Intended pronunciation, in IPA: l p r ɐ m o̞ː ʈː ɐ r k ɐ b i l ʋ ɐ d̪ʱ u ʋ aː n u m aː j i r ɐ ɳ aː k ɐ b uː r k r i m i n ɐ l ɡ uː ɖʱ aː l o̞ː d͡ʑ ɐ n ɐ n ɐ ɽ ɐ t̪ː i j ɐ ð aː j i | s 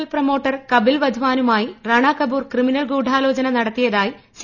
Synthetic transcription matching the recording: l p r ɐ m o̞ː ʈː ɐ r k ɐ b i l ʋ ɐ d̪ʱ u ʋ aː n u m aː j i r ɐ ɳ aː k ɐ b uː r k r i m i n ɐ l ɡ uː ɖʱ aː l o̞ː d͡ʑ ɐ n ɐ n ɐ ɽ ɐ t̪ː i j ɐ ð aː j i | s